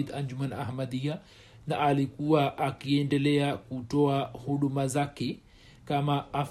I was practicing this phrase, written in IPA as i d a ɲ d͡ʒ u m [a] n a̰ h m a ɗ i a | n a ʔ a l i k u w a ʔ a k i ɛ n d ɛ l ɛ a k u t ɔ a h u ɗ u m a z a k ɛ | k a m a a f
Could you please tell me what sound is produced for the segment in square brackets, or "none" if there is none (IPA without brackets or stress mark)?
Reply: a